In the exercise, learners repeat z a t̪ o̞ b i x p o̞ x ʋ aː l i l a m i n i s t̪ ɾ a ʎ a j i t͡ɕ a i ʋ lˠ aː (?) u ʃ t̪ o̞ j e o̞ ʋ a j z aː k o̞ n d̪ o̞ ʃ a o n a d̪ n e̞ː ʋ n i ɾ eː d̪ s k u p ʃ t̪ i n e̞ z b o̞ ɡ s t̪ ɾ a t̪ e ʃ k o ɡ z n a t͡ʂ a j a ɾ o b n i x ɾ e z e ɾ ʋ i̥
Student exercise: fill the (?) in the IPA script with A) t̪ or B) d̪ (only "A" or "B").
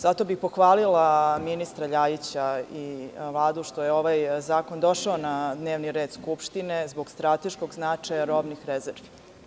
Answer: B